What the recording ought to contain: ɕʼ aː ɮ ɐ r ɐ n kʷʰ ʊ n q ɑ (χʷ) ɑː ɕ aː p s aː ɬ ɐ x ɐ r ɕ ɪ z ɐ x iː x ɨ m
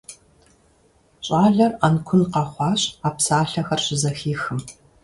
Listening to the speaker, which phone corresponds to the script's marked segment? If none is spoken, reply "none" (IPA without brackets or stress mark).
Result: χʷ